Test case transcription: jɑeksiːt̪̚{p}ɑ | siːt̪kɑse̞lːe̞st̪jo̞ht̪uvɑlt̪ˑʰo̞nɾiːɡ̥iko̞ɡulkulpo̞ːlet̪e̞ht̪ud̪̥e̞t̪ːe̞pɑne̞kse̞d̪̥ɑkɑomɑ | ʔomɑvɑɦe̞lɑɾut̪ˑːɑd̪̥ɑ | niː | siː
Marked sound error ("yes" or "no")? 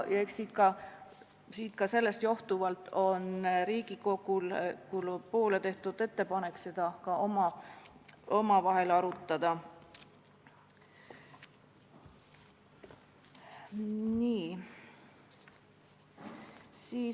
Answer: yes